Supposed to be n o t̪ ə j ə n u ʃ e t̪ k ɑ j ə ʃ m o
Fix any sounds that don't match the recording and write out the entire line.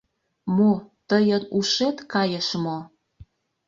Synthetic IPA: m o t̪ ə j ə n u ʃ e t̪ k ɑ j ə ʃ m o